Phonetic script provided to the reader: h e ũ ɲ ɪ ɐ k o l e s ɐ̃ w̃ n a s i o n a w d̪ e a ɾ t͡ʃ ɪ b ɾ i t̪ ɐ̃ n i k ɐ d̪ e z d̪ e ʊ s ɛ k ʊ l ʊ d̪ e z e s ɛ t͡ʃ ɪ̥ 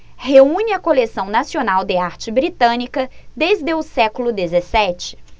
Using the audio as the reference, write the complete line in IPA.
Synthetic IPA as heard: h e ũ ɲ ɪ ɐ k o l e s ɐ̃ w̃ n a s i o n a w d̪ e a ɾ t͡ʃ ɪ b ɾ i t̪ ɐ̃ n i k ɐ d̪ e z d̪ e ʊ s ɛ k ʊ l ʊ d̪ e z e s ɛ t͡ʃ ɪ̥